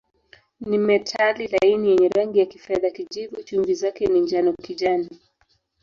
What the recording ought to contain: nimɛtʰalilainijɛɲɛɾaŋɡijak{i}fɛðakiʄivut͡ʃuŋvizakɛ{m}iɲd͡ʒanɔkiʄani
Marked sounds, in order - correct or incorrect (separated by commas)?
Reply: correct, incorrect